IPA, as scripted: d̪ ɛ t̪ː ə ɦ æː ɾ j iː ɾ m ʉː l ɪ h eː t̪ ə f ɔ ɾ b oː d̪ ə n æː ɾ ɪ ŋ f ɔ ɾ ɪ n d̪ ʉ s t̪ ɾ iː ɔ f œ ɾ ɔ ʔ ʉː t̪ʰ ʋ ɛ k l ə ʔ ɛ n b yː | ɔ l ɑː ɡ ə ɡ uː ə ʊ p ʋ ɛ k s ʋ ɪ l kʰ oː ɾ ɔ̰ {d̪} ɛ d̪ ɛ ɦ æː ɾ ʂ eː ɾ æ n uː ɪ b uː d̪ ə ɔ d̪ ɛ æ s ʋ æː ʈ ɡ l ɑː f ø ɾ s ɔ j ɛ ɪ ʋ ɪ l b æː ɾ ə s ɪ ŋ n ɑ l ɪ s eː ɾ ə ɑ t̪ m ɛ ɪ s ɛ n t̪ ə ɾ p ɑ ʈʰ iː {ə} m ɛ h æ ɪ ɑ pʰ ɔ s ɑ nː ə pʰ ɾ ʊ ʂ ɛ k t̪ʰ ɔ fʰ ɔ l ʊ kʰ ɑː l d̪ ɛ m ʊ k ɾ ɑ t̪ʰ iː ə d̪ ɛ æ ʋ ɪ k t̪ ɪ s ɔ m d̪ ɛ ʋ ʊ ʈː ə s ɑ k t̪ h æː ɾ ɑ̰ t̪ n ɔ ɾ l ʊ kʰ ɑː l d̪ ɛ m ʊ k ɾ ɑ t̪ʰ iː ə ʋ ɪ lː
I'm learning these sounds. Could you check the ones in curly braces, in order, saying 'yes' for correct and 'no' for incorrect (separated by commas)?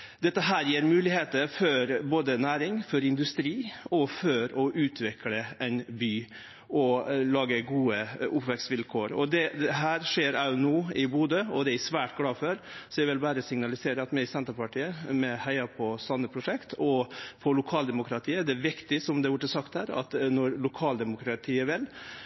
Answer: yes, yes